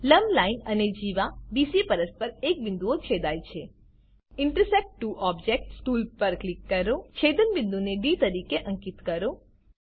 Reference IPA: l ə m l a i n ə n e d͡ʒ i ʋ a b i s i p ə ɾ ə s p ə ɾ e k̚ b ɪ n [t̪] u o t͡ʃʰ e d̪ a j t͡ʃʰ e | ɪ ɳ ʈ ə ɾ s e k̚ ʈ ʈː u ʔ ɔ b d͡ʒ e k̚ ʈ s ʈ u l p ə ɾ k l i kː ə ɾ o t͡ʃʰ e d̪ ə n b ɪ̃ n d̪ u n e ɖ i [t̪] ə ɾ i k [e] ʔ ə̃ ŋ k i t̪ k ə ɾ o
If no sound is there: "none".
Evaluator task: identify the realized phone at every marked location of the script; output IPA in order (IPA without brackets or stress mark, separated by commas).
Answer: d̪, t̪, e